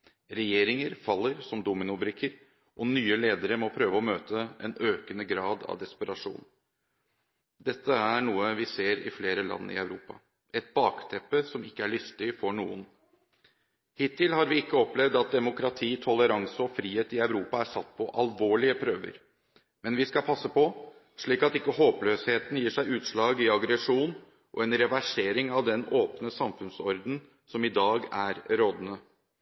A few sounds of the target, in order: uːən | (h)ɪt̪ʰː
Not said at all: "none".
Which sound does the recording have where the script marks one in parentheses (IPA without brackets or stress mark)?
h